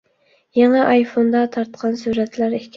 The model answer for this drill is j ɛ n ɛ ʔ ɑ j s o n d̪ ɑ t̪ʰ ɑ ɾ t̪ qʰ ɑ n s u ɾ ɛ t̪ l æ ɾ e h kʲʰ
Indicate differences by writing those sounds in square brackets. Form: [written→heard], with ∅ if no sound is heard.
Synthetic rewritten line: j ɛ [n→ŋ] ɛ ʔ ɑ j [s→f] o n d̪ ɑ t̪ʰ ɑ ɾ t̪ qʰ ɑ n s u ɾ ɛ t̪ l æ ɾ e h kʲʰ